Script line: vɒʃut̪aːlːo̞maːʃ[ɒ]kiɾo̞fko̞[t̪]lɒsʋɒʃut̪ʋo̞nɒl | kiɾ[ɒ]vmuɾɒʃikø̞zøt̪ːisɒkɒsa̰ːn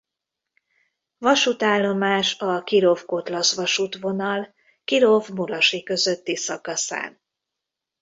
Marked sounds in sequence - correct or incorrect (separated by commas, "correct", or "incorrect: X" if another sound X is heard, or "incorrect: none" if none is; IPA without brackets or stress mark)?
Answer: correct, correct, incorrect: o